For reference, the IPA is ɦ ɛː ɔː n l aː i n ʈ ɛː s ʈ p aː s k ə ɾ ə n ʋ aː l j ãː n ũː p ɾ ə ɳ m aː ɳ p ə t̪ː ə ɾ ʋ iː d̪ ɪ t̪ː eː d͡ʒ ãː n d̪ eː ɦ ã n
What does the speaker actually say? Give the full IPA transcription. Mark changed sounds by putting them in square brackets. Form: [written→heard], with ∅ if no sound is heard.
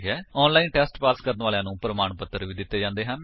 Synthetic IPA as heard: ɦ ɛː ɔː n l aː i n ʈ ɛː s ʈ p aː s k ə ɾ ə n ʋ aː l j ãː n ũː p ɾ ə [ɳ→∅] m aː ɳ p ə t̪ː ə ɾ ʋ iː d̪ ɪ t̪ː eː d͡ʒ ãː n d̪ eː ɦ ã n